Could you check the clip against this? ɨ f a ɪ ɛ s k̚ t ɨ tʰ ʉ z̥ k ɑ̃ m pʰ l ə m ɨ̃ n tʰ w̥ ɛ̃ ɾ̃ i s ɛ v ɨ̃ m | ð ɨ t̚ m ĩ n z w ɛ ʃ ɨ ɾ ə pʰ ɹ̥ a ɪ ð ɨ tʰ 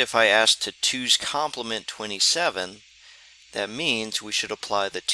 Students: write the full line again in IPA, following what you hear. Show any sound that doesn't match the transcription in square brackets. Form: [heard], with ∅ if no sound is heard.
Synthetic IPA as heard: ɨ f a ɪ [æ] s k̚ [tʰ] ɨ tʰ ʉ z̥ [kʰ] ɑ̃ m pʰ l ə m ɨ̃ n tʰ w̥ ɛ̃ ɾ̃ i s ɛ v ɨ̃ [n] | ð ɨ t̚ m ĩ n z w [i] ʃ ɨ ɾ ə pʰ [l̥] a ɪ ð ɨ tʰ